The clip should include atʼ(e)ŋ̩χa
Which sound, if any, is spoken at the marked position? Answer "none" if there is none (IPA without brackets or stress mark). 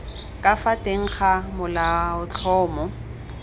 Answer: e